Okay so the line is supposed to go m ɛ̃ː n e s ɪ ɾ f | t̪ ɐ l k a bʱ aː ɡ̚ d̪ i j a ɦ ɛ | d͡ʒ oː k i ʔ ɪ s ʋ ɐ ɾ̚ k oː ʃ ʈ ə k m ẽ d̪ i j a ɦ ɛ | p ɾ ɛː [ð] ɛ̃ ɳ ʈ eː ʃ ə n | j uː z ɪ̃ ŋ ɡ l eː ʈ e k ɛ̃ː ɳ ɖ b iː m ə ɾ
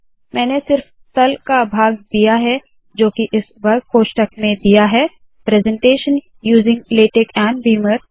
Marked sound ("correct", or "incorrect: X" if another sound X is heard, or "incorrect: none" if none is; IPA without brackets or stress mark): incorrect: z